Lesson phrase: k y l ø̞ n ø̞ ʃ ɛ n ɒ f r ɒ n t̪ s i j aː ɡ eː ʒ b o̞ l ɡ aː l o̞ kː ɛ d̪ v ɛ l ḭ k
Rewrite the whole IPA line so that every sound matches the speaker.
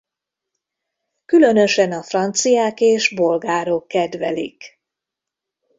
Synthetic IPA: k y l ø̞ n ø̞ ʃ ɛ n ɒ f r ɒ n t̪ s i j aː k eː ʒ b o̞ l ɡ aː ɾ o̞ kː ɛ d̪ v ɛ l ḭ k